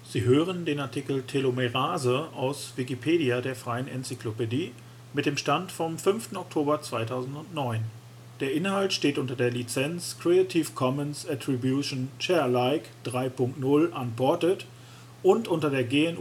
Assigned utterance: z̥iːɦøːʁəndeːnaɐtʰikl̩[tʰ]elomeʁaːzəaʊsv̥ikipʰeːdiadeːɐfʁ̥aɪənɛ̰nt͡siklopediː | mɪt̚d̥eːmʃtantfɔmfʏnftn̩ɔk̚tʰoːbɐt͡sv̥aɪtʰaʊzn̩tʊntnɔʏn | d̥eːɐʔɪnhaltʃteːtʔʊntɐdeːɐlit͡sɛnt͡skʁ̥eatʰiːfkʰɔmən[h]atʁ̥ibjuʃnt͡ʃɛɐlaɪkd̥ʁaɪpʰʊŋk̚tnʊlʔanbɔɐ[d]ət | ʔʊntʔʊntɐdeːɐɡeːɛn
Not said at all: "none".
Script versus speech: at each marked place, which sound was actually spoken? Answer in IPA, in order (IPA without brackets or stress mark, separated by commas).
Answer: tʰ, s, t